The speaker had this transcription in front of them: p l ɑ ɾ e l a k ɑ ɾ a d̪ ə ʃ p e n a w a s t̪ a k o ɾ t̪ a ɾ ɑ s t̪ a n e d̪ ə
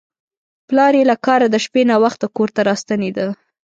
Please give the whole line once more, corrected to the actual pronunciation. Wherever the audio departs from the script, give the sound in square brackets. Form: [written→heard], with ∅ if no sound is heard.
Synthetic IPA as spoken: p l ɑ ɾ e l a k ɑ ɾ a d̪ ə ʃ p e n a w a [s→x] t̪ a k o ɾ t̪ a ɾ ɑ s t̪ a n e d̪ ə